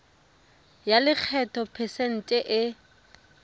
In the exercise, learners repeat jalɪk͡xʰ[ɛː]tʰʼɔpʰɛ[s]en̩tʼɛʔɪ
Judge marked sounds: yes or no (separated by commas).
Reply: no, yes